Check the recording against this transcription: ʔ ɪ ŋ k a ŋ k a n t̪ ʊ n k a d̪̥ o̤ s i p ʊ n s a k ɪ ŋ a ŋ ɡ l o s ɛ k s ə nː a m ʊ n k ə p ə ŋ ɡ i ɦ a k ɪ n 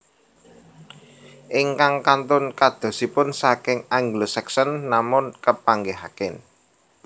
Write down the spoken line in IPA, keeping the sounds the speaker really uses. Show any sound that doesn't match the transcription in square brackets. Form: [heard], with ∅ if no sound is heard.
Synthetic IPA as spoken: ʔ ɪ ŋ k a ŋ k a n t̪ ʊ n k a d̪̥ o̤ s i p ʊ n s a k ɪ ŋ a ŋ ɡ l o s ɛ k s ə nː a m ʊ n k ə p [a] ŋ ɡ [e] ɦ a k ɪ n

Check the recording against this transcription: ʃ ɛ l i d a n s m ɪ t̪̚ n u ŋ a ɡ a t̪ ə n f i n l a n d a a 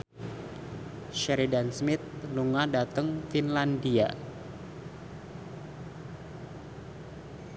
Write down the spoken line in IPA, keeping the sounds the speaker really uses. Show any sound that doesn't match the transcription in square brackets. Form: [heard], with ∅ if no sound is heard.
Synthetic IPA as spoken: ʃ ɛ [ɾ] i d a n s m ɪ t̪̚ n u ŋ a [d] a t̪ ə [ŋ] f i n l a n d [i] a

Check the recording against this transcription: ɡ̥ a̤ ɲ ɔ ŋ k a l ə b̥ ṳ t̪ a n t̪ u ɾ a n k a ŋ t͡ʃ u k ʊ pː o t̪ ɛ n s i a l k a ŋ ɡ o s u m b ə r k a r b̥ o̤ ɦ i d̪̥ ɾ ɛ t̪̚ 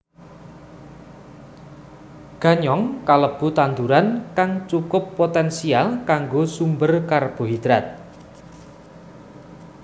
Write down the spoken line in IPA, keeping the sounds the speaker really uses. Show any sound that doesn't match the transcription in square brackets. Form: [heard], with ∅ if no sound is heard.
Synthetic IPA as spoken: ɡ̥ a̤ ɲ ɔ ŋ k a l ə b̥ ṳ t̪ a n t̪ u ɾ a n k a ŋ t͡ʃ u k ʊ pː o t̪ ɛ n s i a l k a ŋ ɡ o s u m b ə r k a r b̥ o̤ ɦ i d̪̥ ɾ [a] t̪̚

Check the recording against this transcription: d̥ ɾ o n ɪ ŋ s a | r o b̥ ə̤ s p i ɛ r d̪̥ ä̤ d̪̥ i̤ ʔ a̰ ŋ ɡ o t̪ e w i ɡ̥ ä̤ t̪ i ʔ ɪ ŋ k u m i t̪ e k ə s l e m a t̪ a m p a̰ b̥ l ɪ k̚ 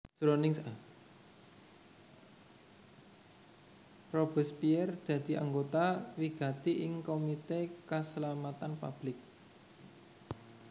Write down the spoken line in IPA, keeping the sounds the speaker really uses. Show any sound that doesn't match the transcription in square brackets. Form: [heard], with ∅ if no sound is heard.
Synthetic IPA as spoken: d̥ ɾ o n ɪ ŋ s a | r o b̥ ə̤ s p i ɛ r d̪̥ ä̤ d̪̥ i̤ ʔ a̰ ŋ ɡ o t̪ [a] w i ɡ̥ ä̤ t̪ i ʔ ɪ ŋ k [o] m i t̪ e k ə s l [a] m a t̪ a [n] p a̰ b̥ l ɪ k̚

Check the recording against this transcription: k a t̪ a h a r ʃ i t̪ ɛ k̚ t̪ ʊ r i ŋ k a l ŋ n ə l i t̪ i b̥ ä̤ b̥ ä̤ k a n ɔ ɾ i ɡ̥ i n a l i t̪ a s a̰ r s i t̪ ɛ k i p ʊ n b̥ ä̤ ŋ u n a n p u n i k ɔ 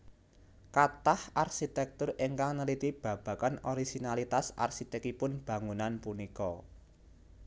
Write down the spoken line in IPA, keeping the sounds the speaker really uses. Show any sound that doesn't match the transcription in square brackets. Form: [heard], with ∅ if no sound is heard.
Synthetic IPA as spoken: k a t̪ a h a r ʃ i t̪ ɛ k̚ t̪ ʊ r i ŋ k a [∅] ŋ n ə l i t̪ i b̥ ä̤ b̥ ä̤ k a n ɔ ɾ i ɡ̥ i n a l i t̪ a s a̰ r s i t̪ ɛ k i p ʊ n b̥ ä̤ ŋ u n a n p u n i k ɔ

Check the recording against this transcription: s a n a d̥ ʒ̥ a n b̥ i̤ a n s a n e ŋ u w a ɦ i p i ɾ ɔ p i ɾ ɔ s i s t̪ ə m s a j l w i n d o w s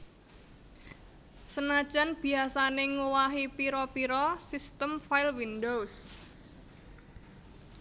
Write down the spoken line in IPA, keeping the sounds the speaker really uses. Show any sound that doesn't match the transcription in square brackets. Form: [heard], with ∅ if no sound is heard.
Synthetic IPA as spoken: s [ə] n a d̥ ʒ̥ a n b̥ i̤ a [∅] s a n e ŋ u w a ɦ i p i ɾ ɔ p i ɾ ɔ s i s t̪ ə m [f] a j l w i n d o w s

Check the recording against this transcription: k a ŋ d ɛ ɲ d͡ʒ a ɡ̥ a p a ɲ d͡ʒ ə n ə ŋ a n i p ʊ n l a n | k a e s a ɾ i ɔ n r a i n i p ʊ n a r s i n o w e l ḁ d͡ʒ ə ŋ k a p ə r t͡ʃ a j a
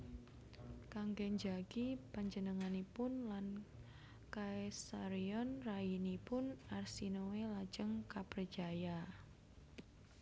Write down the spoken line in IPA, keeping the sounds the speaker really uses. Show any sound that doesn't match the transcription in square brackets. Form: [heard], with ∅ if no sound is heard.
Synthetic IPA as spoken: k a ŋ [ɡ] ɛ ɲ d͡ʒ a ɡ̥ [i] p a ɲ d͡ʒ ə n ə ŋ a n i p ʊ n l a n | k a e s a ɾ i ɔ n r a i n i p ʊ n a r s i n o w e l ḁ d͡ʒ ə ŋ k a p ə r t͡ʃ a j a

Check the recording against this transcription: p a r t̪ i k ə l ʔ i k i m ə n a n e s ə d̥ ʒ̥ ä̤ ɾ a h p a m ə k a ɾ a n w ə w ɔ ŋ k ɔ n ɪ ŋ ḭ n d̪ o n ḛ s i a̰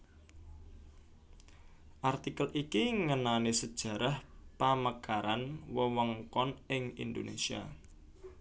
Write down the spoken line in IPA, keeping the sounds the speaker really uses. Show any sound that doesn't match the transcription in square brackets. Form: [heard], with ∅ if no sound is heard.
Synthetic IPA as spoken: [ʔ] a r t̪ i k ə l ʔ i k i [ŋ] ə n a n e s ə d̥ ʒ̥ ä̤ ɾ a h p a m ə k a ɾ a n w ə w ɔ ŋ k ɔ n ɪ ŋ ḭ n d̪ o n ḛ s i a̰

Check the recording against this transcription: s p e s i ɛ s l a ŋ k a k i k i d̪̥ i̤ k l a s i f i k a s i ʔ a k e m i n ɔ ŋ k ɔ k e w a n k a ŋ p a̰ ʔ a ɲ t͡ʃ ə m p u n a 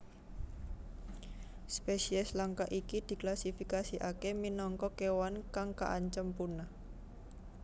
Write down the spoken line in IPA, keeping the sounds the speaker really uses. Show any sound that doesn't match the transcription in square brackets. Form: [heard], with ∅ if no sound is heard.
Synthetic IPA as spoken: s p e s i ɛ s l a ŋ k a [ʔ] i k i d̪̥ i̤ k l a s i f i k a s i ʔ a k e m i n ɔ ŋ k ɔ k e w a n k a ŋ [k] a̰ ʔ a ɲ t͡ʃ ə m p u n a

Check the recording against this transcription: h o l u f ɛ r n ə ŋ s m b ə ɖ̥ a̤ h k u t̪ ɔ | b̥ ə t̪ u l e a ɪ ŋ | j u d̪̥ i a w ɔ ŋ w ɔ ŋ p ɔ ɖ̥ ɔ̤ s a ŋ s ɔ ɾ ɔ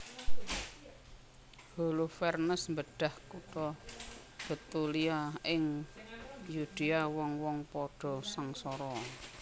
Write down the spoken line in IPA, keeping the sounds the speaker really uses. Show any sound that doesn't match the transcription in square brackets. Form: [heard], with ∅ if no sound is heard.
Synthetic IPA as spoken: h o l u f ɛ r n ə [∅] s m b ə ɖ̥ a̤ h k u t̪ ɔ | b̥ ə t̪ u l [i] a ɪ ŋ | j u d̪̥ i a w ɔ ŋ w ɔ ŋ p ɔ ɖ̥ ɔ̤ s a ŋ s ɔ ɾ ɔ

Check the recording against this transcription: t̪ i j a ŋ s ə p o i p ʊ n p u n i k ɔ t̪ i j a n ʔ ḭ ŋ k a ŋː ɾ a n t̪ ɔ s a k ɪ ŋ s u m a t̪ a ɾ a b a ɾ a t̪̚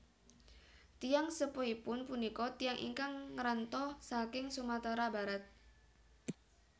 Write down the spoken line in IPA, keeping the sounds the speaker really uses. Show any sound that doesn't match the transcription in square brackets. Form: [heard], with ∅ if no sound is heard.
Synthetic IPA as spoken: t̪ i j a ŋ s ə p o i p ʊ n p u n i k ɔ t̪ i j a [ŋ] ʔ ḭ ŋ k a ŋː ɾ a n t̪ ɔ s a k ɪ ŋ s u m a t̪ a ɾ a b a ɾ a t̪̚

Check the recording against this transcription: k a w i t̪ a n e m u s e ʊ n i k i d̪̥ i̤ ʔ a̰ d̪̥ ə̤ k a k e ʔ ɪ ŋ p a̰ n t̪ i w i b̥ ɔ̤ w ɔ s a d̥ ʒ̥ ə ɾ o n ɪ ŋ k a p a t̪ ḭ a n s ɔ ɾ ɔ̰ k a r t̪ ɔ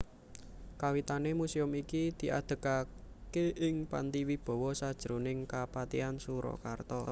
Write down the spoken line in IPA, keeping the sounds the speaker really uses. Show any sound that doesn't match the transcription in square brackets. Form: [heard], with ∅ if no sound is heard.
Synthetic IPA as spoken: k a w i t̪ a n e m u s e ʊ [m] i k i d̪̥ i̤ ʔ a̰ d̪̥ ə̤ k a k e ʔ ɪ ŋ p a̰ n t̪ i w i b̥ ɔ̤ w ɔ s a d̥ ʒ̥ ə ɾ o n ɪ ŋ k a p a t̪ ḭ a n s [u] ɾ ɔ̰ k a r t̪ ɔ

